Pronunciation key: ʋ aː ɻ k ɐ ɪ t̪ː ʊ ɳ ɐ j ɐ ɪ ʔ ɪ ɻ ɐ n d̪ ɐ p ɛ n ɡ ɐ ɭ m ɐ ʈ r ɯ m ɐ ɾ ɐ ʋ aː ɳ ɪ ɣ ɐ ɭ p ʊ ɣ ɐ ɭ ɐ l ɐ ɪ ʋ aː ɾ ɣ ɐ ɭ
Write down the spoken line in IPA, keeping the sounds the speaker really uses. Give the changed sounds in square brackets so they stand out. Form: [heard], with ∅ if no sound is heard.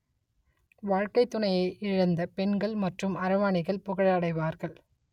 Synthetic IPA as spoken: ʋ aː ɻ k ɐ ɪ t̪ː ʊ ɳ ɐ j ɐ ɪ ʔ ɪ ɻ ɐ n d̪ ɐ p ɛ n ɡ ɐ ɭ m ɐ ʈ r ɯ m ɐ ɾ ɐ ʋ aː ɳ ɪ ɣ ɐ ɭ p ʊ ɣ ɐ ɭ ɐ [ɽ] ɐ ɪ ʋ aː ɾ ɣ ɐ ɭ